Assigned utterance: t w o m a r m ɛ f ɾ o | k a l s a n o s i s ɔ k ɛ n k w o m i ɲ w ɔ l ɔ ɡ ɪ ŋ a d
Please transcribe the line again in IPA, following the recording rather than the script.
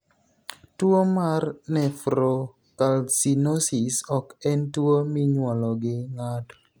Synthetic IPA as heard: t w o m a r n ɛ f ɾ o | k a l s i n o s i s ɔ k ɛ n t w o m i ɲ w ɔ l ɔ ɡ ɪ ŋ a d